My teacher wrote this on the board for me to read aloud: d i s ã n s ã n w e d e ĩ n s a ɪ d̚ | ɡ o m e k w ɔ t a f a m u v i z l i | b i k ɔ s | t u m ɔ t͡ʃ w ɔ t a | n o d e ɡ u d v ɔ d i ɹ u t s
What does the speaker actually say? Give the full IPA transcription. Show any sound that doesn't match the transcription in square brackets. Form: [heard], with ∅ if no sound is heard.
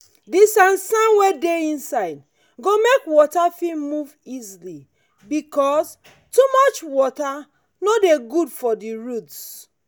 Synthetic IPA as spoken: d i s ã n s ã n w e d e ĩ n s a ɪ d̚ | ɡ o m e k w ɔ t a f [i] m u v i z l i | b i k ɔ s | t u m ɔ t͡ʃ w ɔ t a | n o d e ɡ u d [f] ɔ d i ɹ u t s